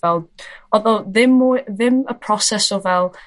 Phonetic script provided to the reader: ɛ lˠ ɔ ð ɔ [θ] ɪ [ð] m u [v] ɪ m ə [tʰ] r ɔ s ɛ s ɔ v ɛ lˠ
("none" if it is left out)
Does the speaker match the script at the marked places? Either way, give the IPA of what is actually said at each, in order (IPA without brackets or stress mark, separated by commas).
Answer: ð, none, ð, pʰ